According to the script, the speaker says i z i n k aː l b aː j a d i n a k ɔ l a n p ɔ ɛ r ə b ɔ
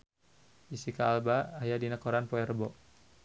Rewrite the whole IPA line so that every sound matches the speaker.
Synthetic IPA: i s i k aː l b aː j a d i n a k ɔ ɾ a n p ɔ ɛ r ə b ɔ